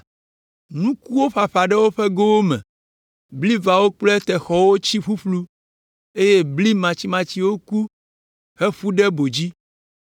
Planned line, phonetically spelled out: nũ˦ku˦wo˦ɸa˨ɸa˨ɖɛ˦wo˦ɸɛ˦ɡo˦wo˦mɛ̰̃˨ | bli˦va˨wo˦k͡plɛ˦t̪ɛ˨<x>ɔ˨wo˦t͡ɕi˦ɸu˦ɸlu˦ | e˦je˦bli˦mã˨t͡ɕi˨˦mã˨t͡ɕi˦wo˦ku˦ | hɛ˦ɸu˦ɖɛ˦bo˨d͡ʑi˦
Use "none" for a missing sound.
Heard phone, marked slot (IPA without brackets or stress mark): x